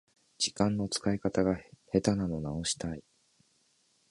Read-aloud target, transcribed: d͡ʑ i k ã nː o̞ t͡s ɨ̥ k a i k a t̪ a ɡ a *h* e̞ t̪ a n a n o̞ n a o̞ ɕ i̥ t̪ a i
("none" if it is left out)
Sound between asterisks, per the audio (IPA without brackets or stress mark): h